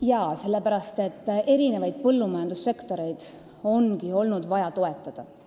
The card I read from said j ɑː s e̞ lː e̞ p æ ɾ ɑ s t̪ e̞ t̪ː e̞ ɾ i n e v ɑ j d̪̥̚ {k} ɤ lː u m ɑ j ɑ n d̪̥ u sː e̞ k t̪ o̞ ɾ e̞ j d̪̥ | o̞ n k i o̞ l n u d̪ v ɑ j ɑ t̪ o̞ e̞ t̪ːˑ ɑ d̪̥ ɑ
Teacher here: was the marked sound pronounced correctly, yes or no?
no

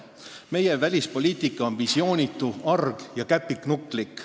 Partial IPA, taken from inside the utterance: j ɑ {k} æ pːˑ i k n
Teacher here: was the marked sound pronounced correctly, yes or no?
yes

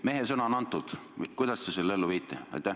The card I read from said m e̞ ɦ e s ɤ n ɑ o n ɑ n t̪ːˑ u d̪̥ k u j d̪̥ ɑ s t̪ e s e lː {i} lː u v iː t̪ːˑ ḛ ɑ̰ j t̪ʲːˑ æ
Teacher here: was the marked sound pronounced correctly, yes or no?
no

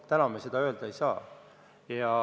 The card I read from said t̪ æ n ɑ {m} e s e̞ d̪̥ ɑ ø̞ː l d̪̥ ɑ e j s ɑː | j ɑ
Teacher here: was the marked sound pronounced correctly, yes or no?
yes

